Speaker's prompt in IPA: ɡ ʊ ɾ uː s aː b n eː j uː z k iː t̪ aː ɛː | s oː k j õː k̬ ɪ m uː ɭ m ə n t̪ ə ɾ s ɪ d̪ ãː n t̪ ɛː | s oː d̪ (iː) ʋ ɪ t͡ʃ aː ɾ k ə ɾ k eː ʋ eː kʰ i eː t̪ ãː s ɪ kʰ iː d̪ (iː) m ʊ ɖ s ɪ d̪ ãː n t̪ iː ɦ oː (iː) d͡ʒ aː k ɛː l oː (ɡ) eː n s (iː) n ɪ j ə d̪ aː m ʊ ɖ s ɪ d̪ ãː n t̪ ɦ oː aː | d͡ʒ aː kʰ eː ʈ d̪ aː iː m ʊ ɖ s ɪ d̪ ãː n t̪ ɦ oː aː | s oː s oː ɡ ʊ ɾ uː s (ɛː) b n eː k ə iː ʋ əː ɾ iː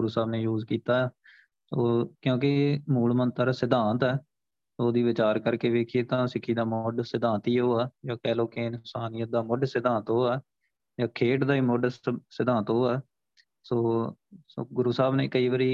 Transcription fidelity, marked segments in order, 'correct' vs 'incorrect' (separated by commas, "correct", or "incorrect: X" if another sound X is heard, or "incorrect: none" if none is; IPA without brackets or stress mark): correct, incorrect: aː, incorrect: aː, incorrect: k, incorrect: aː, incorrect: aː